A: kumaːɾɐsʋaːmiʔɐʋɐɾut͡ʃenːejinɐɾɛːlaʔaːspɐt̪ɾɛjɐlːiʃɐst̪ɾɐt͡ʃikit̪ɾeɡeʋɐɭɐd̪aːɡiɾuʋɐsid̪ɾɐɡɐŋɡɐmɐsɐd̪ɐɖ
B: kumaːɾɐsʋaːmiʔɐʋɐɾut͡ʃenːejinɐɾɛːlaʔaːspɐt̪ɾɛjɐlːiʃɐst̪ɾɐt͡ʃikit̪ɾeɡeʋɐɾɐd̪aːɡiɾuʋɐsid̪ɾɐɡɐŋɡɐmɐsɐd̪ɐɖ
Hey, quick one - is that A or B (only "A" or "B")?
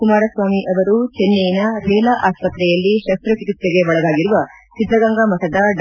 A